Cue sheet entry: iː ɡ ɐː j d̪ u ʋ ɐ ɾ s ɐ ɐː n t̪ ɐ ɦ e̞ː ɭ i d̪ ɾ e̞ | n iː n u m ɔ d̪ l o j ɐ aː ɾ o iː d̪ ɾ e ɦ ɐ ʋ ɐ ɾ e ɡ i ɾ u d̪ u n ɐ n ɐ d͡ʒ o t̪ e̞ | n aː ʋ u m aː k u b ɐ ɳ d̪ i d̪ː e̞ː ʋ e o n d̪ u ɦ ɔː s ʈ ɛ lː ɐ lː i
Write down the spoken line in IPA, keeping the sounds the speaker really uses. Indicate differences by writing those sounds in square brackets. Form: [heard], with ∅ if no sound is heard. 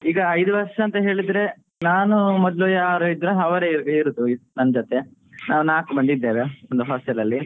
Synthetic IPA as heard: iː ɡ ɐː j d̪ u ʋ ɐ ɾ [ʂ] ɐ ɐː n t̪ ɐ ɦ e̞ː ɭ i d̪ ɾ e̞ | n [aː] n u m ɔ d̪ l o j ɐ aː ɾ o [i] d̪ ɾ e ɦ ɐ ʋ ɐ ɾ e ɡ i ɾ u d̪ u n ɐ n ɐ d͡ʒ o t̪ e̞ | n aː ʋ u [n] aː k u b ɐ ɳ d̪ i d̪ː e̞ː ʋ e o n d̪ u ɦ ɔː s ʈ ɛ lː ɐ lː i